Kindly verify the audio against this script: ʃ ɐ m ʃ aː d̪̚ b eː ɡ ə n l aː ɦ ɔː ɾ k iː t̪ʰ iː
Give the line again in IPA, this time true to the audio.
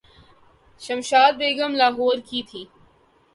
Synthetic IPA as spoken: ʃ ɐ m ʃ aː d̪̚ b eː ɡ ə m l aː ɦ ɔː ɾ k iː t̪ʰ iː